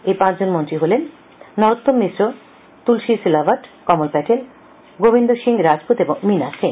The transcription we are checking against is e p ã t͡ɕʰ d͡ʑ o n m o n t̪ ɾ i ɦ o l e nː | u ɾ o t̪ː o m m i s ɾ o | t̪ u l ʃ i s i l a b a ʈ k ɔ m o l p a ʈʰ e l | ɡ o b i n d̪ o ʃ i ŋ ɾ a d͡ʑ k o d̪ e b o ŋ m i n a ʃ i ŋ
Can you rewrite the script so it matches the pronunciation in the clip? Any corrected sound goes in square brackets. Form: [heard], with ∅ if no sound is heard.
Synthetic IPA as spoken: e p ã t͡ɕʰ d͡ʑ o n m o n t̪ ɾ i ɦ o l e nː | [ɔ] ɾ o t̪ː o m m i s ɾ o | t̪ u l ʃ i s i l a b a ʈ k ɔ m o l p [ɛ] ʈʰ e l | ɡ o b i n d̪ o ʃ i ŋ ɾ a d͡ʑ [p] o [t̪] e b o ŋ m i n a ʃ i ŋ